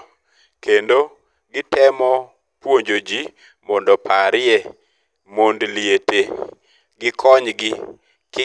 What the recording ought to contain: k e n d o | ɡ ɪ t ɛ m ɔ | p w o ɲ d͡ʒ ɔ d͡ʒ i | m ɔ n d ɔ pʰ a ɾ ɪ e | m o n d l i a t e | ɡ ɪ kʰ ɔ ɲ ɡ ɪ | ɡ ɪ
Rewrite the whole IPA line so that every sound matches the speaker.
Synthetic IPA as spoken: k e n d o | ɡ ɪ t ɛ m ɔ | p w o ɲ d͡ʒ o d͡ʒ i | m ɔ n d ɔ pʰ a ɾ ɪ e | m o n d l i e t e | ɡ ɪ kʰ ɔ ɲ ɡ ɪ | k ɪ